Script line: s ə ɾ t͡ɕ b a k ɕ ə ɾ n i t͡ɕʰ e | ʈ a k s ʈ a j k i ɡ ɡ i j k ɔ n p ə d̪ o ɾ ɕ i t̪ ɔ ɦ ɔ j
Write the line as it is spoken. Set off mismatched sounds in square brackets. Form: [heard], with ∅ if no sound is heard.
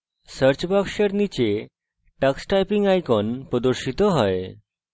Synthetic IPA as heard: s ə ɾ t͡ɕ b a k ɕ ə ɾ n i [t͡ɕ] e | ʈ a k s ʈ a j [p] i [ŋ] ɡ [a] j k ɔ n p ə d̪ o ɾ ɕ i t̪ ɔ ɦ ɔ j